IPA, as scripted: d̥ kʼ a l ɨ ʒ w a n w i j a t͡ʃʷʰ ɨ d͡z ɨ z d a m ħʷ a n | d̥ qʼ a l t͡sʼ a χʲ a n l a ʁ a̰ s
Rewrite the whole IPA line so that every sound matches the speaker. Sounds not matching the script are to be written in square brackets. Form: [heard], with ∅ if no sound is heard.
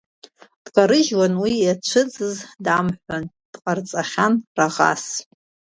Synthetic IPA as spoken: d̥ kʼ a [ɾ] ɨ ʒ w a n w i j a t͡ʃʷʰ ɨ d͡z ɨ z d a m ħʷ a n | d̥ qʼ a [r] t͡sʼ a χʲ a n [r] a ʁ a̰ s